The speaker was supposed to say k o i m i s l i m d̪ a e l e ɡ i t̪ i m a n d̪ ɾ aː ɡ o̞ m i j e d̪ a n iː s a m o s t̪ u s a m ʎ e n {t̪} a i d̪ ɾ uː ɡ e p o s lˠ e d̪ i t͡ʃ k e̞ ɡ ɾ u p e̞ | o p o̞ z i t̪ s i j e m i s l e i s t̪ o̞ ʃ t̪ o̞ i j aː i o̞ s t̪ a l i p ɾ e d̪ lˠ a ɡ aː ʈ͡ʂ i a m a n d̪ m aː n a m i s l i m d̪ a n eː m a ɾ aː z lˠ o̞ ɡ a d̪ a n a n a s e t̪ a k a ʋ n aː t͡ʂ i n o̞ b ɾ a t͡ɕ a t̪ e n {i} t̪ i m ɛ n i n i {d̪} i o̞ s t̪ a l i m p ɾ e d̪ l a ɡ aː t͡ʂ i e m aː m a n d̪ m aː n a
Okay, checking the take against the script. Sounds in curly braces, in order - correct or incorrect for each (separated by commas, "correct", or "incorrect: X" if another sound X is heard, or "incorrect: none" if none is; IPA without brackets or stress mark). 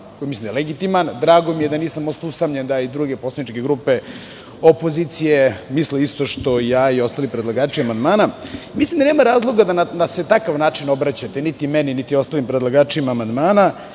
incorrect: d̪, correct, incorrect: t̪